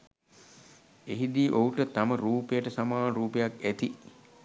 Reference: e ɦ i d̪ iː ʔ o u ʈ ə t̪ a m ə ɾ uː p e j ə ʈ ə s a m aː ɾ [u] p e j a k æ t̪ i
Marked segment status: incorrect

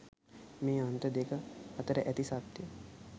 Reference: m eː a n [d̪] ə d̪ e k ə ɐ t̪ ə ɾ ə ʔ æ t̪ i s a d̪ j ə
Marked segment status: incorrect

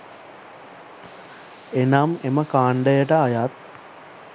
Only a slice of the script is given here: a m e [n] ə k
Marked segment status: incorrect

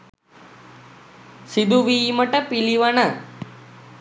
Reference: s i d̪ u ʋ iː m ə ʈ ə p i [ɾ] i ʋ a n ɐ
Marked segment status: incorrect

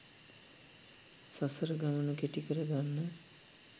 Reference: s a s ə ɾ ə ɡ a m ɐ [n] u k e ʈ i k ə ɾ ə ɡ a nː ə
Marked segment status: correct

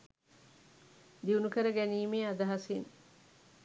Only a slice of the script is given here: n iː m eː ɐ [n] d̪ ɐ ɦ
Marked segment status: incorrect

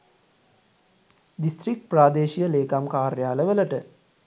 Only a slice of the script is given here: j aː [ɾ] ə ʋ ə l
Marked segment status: incorrect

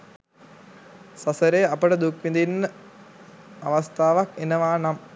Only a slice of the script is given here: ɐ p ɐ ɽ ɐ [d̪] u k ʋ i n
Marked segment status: correct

